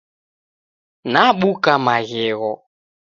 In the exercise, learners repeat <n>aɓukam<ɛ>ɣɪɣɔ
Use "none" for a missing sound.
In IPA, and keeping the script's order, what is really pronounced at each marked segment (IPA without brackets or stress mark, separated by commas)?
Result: n, a